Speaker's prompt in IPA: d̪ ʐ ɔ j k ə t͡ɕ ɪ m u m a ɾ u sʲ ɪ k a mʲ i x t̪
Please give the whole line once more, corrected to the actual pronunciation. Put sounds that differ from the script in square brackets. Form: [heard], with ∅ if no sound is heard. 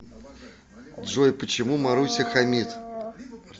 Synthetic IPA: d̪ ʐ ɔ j [p] ə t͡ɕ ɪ m u m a ɾ u sʲ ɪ [x] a mʲ i [∅] t̪